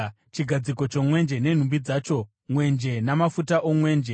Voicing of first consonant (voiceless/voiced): voiceless